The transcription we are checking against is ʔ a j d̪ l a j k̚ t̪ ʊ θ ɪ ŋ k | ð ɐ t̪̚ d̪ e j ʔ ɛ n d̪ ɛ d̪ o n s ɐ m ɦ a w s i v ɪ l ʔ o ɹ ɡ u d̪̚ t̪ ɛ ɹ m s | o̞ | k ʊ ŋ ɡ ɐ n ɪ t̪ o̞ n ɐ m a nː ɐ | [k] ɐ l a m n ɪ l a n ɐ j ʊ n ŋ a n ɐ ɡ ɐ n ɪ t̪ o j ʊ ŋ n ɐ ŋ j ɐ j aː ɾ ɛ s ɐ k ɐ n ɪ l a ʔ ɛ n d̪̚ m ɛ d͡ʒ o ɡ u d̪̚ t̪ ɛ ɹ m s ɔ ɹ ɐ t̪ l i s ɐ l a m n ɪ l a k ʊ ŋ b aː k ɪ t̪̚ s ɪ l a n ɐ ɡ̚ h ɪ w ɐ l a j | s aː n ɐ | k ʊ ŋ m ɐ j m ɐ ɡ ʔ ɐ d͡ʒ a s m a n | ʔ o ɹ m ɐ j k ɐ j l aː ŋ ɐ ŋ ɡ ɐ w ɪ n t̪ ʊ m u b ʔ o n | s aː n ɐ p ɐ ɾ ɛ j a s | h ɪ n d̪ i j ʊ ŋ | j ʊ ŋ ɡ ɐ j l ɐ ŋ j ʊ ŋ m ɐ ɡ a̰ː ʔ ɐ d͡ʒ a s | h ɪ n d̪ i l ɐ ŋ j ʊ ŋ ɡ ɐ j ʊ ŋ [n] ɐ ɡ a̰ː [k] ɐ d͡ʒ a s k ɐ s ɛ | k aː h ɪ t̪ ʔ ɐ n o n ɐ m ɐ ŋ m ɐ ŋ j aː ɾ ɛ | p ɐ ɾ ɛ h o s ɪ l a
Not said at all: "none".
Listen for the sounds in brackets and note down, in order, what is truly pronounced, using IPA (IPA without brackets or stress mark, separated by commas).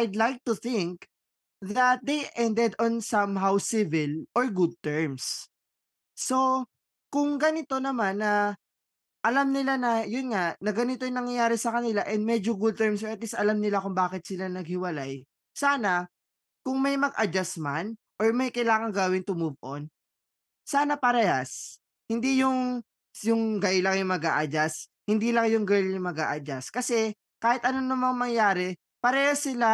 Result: ʔ, m, ʔ